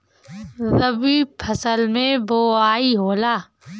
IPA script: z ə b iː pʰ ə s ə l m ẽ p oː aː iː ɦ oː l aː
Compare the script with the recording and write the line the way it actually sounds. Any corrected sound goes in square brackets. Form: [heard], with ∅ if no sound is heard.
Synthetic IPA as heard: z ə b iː pʰ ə s ə l m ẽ [b] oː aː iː ɦ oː l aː